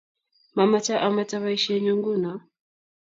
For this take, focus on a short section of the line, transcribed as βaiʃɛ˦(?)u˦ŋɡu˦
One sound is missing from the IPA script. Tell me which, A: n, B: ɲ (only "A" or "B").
B